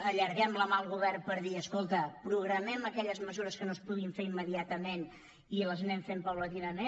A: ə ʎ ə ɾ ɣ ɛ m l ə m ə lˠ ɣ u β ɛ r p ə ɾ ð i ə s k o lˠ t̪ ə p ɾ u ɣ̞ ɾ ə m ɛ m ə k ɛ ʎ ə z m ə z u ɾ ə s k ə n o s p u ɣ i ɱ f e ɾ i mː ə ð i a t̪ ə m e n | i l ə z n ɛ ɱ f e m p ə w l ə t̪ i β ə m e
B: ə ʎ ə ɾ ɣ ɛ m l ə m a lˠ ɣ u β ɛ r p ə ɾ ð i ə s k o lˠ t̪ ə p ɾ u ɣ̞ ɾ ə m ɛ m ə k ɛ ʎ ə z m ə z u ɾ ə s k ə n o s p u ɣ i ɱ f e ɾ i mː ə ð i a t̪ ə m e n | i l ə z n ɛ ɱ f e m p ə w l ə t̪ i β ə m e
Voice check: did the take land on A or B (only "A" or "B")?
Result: B